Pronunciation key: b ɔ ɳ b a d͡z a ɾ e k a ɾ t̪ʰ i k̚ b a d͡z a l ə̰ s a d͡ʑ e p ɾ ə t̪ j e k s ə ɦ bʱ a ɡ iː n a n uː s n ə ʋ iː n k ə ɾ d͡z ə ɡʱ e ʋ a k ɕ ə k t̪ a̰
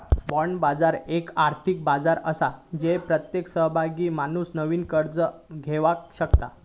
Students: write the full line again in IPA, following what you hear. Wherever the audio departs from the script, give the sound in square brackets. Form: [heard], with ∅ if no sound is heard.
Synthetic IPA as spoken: b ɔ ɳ b a d͡z a ɾ e k a ɾ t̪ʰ i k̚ b a d͡z a [ɾ] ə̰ s a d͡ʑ e p ɾ ə t̪ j e k s ə ɦ bʱ a ɡ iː [m] a n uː s n ə ʋ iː n k ə ɾ d͡z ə ɡʱ e ʋ a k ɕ ə k t̪ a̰